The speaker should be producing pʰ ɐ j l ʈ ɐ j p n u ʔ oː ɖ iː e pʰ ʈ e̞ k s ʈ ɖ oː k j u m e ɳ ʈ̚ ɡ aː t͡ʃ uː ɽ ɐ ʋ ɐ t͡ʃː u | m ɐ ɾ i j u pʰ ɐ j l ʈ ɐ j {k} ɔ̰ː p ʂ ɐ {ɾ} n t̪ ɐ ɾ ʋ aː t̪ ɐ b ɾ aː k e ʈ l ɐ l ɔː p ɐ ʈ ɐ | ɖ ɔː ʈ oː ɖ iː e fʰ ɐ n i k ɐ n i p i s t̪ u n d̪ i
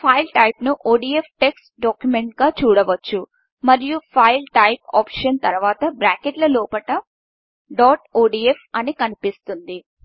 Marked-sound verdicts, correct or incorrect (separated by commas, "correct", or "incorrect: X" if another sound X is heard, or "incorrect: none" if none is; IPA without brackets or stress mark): incorrect: p, incorrect: none